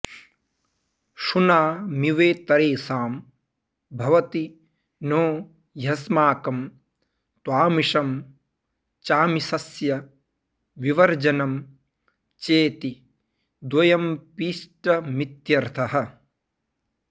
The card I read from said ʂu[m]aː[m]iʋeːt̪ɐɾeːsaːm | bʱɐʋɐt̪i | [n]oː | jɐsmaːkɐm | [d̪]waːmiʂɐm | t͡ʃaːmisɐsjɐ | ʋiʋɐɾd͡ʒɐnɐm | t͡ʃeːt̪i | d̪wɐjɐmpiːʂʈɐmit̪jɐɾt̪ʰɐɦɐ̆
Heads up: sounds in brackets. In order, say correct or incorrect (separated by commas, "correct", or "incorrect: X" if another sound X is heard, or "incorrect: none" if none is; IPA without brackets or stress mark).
incorrect: n, correct, correct, incorrect: t̪